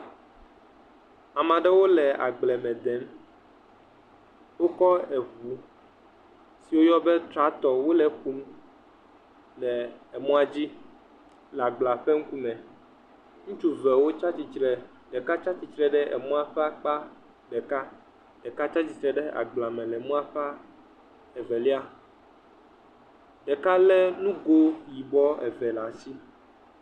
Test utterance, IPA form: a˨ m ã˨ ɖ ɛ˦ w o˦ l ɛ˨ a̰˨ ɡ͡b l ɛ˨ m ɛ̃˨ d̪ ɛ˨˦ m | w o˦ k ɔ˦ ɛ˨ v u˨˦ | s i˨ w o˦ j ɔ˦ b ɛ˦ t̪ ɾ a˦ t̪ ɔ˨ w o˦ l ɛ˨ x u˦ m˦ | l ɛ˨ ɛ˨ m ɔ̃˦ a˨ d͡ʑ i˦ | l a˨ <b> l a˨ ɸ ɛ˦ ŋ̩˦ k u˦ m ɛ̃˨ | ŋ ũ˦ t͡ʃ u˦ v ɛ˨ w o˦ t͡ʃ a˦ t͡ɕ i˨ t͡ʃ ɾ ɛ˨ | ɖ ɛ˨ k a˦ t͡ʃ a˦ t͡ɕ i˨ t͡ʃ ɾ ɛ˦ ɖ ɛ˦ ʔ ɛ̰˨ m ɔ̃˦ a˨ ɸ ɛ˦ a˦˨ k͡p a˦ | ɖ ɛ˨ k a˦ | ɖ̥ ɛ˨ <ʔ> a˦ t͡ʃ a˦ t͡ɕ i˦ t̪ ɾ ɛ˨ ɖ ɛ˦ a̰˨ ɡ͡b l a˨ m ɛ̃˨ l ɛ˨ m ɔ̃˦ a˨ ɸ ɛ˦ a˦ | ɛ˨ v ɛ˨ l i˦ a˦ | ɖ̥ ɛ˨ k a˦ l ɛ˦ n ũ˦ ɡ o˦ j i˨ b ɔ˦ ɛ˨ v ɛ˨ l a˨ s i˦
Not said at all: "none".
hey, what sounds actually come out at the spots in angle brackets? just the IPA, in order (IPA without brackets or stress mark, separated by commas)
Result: ɡ͡b, k